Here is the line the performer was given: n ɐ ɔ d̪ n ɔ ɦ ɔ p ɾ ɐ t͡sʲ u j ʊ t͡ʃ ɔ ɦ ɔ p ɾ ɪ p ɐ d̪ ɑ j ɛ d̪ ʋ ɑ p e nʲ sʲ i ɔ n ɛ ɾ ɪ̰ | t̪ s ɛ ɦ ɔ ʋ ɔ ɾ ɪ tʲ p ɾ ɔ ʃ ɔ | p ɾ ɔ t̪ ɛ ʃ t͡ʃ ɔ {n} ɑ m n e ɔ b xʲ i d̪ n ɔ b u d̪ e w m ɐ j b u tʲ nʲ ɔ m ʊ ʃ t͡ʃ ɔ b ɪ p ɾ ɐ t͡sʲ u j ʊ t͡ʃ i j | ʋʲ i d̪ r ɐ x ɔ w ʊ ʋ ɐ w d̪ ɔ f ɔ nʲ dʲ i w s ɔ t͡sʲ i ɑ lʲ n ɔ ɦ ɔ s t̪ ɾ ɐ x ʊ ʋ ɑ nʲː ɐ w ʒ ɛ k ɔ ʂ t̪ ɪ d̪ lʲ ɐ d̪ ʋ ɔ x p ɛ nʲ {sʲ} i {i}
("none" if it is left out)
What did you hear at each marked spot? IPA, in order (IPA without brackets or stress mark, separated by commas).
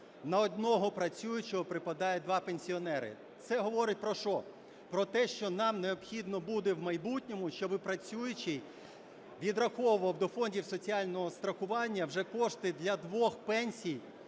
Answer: n, sʲ, j